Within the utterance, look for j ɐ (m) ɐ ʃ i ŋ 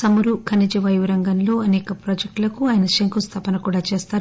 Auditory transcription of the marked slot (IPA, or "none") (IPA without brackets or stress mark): n